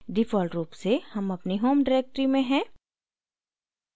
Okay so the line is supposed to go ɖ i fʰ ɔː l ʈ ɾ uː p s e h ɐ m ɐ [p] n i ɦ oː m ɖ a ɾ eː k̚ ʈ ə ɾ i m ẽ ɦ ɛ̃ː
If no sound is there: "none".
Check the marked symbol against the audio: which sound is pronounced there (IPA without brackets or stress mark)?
p